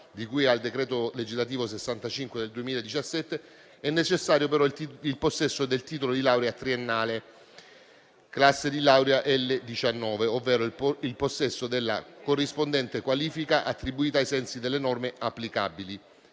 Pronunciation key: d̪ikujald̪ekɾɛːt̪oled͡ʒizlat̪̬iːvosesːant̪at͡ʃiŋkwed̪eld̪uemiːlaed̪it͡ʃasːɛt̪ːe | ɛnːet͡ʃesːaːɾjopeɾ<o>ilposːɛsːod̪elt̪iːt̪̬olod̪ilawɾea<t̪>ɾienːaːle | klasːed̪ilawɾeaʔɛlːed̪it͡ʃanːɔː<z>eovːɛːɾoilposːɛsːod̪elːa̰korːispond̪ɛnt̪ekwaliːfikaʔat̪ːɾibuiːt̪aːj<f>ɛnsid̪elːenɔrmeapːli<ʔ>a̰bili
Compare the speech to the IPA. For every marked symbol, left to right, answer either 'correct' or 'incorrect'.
incorrect: ɔ, correct, incorrect: v, incorrect: s, incorrect: k

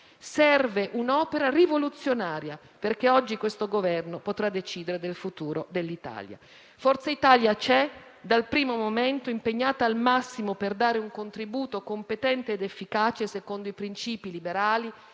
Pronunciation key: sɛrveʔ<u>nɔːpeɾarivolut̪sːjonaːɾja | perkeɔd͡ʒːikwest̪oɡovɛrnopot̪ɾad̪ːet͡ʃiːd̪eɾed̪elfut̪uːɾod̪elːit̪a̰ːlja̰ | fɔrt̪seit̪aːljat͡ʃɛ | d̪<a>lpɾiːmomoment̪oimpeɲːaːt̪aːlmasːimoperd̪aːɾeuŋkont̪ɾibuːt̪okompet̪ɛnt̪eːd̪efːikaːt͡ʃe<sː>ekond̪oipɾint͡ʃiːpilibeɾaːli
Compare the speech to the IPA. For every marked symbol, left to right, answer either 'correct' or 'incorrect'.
correct, correct, incorrect: s

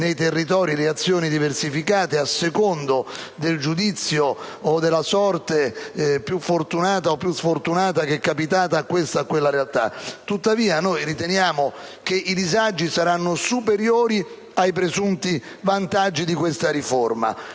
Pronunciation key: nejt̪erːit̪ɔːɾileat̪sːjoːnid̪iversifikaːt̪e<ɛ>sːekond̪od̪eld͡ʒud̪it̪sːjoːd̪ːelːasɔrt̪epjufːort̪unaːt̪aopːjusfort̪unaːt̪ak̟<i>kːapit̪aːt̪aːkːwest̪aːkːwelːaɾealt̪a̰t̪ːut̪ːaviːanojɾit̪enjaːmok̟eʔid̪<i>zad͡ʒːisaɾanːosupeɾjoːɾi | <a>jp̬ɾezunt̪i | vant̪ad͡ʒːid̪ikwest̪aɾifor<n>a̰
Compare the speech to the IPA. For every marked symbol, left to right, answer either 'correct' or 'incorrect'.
incorrect: a, incorrect: ɛ, correct, correct, incorrect: m

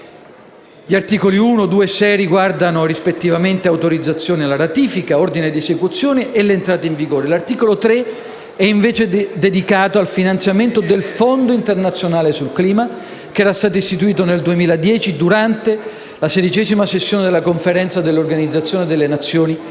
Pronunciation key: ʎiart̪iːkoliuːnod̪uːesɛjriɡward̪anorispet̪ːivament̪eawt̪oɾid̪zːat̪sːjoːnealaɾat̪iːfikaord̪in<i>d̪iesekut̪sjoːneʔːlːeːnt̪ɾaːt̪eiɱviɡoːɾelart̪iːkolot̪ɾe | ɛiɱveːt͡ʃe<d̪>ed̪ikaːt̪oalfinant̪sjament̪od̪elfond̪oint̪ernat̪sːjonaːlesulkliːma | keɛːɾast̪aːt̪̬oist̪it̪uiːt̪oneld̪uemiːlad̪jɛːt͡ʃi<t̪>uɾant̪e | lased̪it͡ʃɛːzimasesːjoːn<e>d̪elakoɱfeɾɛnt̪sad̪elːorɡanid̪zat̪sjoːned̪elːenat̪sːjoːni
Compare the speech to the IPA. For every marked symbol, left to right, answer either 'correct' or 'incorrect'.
incorrect: e, correct, incorrect: d̪, correct

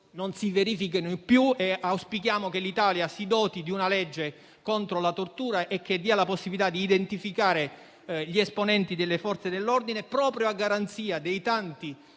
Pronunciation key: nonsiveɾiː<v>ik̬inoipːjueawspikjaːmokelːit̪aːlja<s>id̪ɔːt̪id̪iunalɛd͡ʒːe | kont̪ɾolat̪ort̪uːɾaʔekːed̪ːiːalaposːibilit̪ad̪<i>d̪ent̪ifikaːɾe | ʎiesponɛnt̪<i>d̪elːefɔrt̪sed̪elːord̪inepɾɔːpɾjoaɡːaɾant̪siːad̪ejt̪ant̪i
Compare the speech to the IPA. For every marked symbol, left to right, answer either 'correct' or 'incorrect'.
incorrect: f, correct, incorrect: iː, correct

